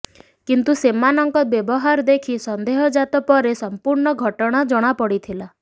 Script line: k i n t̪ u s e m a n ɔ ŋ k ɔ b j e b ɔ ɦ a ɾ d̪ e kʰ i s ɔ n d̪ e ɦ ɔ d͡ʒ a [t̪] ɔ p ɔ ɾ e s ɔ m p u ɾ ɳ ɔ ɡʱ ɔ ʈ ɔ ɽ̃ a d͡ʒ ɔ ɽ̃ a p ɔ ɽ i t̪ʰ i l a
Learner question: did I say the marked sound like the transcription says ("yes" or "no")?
yes